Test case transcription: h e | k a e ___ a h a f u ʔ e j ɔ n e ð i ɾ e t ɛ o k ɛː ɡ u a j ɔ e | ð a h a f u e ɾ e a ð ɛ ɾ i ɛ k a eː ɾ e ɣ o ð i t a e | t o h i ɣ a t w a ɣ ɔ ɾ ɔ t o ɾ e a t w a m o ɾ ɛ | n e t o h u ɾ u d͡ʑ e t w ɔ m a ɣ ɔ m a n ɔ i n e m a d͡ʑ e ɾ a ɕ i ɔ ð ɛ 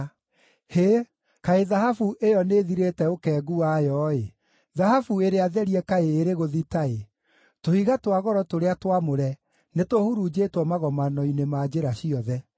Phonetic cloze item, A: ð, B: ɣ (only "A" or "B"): A